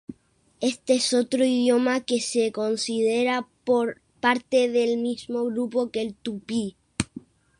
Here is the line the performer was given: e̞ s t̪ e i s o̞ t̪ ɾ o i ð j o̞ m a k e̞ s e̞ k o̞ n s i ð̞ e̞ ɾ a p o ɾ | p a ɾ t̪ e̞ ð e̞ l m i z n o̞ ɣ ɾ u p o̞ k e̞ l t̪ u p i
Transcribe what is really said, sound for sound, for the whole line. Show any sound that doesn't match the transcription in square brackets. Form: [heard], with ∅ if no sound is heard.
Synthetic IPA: e̞ s t̪ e [e] s o̞ t̪ ɾ o i ð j o̞ m a k e̞ s e̞ k o̞ n s i ð̞ e̞ ɾ a p o ɾ | p a ɾ t̪ e̞ ð e̞ l m i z [m] o̞ ɣ ɾ u p o̞ k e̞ l t̪ u p i